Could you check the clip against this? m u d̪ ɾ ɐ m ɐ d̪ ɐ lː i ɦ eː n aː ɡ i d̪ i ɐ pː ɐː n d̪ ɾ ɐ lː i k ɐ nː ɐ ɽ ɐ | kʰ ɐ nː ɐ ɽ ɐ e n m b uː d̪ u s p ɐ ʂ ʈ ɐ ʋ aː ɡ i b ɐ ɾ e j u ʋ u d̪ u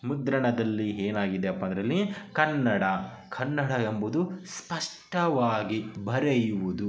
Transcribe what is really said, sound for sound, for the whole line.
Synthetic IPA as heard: m u d̪ ɾ ɐ ɳ ɐ d̪ ɐ lː i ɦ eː n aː ɡ i d̪ e ɐ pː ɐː n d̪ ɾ ɐ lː i k ɐ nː ɐ ɽ ɐ | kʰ ɐ nː ɐ ɽ ɐ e m b u d̪ u s p ɐ ʂ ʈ ɐ ʋ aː ɡ i b ɐ ɾ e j u ʋ u d̪ u